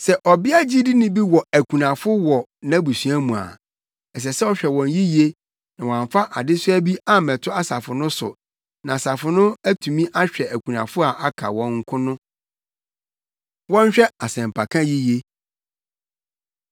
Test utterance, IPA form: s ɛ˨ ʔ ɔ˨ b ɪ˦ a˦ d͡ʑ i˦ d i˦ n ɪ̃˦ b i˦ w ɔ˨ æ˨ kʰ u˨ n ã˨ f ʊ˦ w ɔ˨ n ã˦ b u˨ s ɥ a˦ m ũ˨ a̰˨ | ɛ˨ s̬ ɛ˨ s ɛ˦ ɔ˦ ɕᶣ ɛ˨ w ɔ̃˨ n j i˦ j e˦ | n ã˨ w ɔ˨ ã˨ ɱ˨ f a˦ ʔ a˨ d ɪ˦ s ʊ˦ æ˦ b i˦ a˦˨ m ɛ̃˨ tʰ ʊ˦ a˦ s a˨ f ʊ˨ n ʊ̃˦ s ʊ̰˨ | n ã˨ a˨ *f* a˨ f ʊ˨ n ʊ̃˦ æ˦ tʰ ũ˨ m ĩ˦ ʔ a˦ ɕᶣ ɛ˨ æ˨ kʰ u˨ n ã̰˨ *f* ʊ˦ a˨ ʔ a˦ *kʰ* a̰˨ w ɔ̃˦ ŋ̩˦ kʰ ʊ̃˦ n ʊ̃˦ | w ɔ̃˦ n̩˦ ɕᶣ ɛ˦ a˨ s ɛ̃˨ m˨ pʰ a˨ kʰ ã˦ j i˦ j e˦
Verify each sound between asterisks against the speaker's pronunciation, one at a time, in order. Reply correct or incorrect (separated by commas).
incorrect, correct, correct